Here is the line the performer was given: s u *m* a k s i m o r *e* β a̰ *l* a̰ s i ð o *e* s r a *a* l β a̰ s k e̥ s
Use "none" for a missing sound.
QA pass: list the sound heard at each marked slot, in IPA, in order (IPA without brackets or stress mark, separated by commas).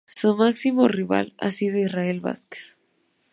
m, i, l, i, e